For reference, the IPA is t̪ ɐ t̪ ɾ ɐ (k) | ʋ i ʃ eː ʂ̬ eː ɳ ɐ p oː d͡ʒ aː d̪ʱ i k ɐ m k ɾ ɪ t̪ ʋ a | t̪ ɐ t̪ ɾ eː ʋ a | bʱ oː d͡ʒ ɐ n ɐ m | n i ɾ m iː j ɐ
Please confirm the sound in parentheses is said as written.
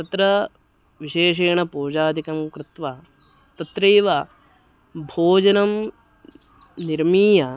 no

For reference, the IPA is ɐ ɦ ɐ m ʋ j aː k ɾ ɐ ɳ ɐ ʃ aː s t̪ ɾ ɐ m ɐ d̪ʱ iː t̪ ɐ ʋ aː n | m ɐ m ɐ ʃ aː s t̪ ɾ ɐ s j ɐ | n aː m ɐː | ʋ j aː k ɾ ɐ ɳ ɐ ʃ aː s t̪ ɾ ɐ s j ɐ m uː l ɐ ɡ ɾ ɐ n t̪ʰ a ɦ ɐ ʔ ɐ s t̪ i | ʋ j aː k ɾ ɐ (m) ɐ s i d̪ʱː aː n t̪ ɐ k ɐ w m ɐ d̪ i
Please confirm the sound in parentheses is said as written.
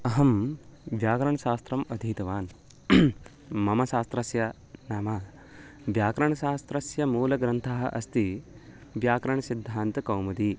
no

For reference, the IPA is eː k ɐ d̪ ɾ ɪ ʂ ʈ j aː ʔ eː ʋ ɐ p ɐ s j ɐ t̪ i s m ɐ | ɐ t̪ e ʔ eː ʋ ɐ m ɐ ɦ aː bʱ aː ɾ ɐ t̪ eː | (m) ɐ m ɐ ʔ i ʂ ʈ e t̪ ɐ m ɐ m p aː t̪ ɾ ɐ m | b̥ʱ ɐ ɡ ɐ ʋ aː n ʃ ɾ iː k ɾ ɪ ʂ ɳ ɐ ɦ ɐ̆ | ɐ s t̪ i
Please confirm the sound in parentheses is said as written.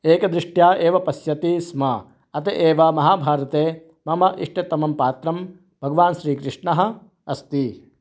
yes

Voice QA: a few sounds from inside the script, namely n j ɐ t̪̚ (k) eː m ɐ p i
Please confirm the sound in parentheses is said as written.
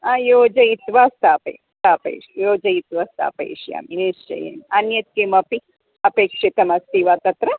yes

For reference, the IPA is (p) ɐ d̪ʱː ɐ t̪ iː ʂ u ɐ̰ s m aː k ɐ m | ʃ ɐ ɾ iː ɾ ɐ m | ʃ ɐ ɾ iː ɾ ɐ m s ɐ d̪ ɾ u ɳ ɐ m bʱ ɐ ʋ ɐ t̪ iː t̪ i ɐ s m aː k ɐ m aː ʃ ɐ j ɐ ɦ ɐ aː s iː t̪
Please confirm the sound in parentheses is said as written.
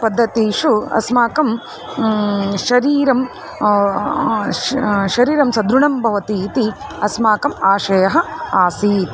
yes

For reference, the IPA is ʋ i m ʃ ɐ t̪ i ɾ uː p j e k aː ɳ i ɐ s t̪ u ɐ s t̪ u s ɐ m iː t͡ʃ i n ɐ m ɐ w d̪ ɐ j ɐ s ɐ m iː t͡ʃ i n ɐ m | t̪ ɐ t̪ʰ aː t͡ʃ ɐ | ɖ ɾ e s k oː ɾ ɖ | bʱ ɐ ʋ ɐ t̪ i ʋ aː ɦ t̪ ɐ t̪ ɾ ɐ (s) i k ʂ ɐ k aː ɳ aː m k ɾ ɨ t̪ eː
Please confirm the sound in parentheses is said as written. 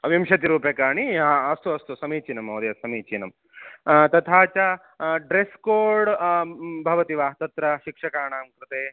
no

